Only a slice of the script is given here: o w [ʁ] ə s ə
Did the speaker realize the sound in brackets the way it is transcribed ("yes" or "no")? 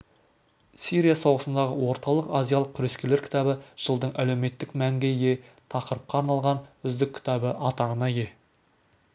yes